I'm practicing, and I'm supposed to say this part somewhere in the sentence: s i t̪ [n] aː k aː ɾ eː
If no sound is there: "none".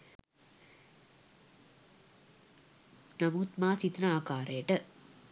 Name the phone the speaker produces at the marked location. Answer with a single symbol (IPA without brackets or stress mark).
n